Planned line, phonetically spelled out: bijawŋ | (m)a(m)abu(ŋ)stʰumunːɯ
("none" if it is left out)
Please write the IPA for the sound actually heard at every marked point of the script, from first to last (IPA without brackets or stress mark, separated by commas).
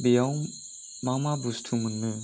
m, m, none